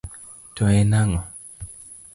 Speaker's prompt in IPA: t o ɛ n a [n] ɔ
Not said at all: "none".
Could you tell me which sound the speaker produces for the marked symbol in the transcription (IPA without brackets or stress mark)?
ŋ